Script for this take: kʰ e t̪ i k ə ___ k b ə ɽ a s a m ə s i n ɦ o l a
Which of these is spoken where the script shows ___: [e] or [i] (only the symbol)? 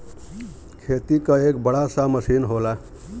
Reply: e